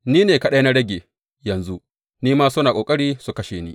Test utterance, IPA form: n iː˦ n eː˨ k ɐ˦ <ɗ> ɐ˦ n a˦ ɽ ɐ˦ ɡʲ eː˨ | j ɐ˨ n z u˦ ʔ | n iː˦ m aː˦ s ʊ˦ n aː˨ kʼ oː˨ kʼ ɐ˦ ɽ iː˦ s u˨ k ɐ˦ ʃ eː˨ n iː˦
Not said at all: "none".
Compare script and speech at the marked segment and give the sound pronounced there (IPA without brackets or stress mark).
ɗ